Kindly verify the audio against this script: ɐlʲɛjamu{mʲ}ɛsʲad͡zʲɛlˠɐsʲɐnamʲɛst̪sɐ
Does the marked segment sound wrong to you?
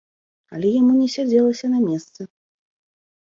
yes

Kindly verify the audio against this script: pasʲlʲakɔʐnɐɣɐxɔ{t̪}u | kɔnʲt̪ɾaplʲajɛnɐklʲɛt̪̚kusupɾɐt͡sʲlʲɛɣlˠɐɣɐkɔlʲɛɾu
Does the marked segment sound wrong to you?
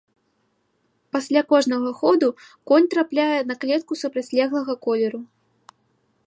yes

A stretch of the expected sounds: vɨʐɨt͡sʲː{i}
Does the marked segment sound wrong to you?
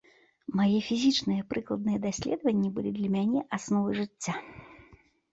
yes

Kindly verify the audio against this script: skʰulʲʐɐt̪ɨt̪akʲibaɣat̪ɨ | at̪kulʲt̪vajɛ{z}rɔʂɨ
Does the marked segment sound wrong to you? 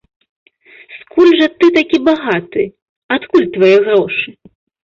yes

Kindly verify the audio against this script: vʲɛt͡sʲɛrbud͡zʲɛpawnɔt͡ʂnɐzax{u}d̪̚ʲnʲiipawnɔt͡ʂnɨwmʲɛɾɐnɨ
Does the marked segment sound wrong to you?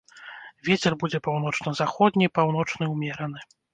yes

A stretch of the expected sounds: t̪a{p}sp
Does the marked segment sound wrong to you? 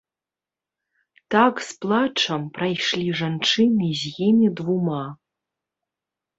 yes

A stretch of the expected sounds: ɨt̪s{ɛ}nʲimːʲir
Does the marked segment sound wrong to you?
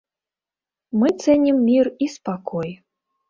no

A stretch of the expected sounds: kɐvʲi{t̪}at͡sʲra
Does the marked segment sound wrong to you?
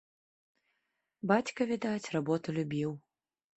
yes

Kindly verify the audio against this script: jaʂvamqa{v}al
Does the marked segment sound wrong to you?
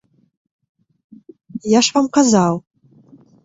yes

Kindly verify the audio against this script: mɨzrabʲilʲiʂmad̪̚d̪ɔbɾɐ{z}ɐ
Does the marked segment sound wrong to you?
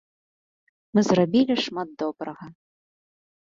yes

